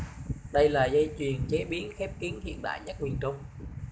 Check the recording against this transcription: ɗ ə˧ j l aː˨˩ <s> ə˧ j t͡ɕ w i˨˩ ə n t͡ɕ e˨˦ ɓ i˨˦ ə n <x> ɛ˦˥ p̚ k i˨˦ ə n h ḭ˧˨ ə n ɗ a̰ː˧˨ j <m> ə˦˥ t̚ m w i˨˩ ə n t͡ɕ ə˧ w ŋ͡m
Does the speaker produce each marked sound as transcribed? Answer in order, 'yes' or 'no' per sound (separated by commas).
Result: no, yes, no